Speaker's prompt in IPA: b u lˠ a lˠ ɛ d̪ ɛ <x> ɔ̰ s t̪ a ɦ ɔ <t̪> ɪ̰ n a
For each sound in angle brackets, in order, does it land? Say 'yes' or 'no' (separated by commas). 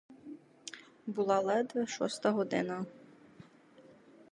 no, no